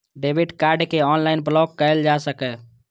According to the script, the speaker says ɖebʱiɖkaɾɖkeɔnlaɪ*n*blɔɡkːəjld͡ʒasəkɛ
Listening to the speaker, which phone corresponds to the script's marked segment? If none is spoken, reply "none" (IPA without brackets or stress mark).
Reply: n